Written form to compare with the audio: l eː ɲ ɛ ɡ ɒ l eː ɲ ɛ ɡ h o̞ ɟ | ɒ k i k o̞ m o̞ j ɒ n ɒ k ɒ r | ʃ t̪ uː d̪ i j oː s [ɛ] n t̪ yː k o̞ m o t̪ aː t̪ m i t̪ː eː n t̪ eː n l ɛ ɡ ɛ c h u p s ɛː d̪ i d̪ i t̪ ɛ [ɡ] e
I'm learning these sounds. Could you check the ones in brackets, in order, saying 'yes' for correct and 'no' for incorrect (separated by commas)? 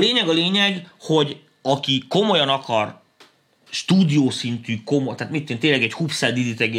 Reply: no, yes